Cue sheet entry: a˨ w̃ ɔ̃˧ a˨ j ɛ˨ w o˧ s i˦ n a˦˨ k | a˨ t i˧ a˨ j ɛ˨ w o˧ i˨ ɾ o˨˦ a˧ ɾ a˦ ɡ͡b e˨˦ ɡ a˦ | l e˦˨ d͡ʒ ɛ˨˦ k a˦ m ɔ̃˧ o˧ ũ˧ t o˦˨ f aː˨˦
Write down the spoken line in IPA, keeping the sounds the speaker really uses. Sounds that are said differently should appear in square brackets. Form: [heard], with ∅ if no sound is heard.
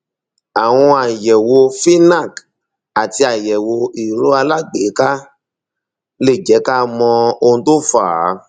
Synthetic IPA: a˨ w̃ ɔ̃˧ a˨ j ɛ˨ w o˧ [f] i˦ n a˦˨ k | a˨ t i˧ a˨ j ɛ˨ w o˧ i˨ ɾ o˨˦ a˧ [l] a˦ ɡ͡b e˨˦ [k] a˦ | l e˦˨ d͡ʒ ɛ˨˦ k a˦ m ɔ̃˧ o˧ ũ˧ t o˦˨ f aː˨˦